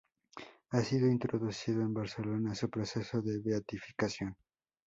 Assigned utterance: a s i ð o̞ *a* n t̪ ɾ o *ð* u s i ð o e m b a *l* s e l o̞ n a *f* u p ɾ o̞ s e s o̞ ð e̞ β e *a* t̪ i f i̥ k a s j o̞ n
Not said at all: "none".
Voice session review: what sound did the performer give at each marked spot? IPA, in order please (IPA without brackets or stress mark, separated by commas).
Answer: i, ð, ɾ, s, a